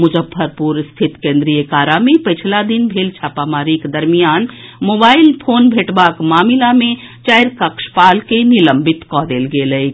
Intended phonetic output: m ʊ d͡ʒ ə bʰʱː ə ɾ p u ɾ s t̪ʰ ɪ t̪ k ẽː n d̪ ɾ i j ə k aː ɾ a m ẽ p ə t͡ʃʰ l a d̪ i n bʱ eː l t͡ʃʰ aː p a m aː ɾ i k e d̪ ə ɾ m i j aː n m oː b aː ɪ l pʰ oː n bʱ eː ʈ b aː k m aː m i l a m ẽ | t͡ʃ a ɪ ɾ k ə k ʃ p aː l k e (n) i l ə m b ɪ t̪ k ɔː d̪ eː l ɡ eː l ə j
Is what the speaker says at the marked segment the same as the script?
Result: yes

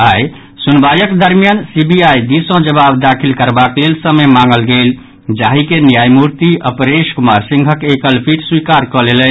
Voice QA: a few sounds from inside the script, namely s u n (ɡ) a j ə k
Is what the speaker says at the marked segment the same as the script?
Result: no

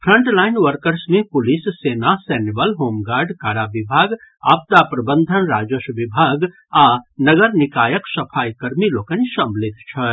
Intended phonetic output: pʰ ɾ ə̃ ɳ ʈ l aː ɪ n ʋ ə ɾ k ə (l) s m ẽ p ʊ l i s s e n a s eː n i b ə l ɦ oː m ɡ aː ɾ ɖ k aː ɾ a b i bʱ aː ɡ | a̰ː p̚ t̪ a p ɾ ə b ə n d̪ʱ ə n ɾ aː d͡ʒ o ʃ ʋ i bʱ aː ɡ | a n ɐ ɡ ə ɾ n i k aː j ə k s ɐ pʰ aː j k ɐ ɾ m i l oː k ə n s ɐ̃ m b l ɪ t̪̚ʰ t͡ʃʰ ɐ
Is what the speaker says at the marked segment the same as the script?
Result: no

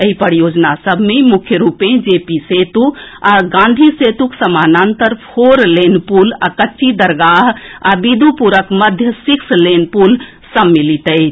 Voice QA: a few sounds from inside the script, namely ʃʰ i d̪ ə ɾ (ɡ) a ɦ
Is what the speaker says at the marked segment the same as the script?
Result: yes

